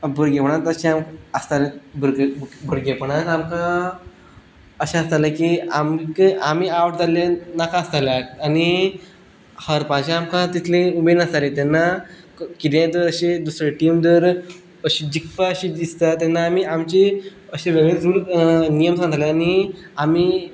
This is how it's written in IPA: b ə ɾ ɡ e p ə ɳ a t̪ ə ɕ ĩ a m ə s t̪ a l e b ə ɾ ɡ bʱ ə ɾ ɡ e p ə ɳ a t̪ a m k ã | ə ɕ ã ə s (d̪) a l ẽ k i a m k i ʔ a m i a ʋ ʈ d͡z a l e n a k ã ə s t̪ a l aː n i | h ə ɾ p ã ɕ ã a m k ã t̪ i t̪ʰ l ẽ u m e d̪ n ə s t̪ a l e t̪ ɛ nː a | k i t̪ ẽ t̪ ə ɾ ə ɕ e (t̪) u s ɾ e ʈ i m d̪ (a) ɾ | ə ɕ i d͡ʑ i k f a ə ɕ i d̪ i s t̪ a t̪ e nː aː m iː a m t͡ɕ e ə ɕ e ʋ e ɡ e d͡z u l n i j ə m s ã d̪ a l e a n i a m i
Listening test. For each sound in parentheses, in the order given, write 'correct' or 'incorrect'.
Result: incorrect: t̪, incorrect: d̪, incorrect: ə

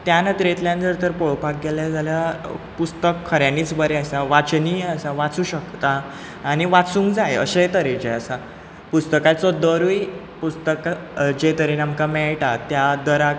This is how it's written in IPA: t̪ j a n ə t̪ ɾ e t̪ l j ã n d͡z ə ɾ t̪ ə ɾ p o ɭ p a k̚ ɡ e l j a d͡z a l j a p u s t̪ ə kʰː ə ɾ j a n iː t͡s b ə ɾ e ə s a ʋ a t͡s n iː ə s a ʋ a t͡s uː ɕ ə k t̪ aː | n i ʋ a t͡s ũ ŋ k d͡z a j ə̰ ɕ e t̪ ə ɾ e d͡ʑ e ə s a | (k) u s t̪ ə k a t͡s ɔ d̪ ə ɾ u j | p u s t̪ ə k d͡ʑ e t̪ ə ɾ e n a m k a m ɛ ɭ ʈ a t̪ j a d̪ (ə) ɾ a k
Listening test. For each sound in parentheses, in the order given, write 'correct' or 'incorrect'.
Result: incorrect: p, correct

